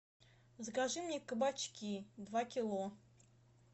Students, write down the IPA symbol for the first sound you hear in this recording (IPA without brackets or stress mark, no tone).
z